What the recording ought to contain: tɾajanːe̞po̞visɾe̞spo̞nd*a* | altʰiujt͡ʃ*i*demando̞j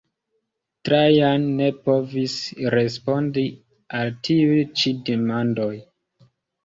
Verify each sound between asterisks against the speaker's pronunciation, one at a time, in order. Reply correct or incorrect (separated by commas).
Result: incorrect, correct